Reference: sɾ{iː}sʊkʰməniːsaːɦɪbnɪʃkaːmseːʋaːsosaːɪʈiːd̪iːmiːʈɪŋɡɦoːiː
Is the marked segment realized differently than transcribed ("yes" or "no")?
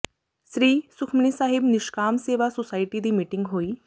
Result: no